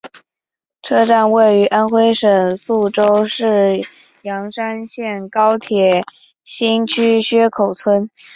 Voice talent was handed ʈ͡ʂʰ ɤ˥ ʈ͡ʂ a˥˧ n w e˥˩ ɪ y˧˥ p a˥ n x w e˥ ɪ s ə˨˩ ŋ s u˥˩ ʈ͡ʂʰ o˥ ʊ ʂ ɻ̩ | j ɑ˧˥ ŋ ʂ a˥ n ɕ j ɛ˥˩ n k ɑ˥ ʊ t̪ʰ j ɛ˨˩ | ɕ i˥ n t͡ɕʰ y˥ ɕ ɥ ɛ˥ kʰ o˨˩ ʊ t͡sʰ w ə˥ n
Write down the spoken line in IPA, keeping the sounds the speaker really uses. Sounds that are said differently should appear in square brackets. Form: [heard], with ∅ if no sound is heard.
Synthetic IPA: ʈ͡ʂʰ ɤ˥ ʈ͡ʂ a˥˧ n w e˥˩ ɪ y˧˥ [ʔ] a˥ n x w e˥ ɪ [ʂ] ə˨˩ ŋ s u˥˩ [ʈ͡ʂ] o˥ ʊ ʂ ɻ̩ | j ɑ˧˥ ŋ ʂ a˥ n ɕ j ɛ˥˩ n k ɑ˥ ʊ t̪ʰ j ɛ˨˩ | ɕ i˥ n t͡ɕʰ y˥ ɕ ɥ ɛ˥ kʰ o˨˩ ʊ t͡sʰ w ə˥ n